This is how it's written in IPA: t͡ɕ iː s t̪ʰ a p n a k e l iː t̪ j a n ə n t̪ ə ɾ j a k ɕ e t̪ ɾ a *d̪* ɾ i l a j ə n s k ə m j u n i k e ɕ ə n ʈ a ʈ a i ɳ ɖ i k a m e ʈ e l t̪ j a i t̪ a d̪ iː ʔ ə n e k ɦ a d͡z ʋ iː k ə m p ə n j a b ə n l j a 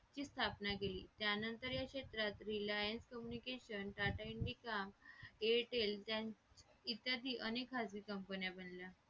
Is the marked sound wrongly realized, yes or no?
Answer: yes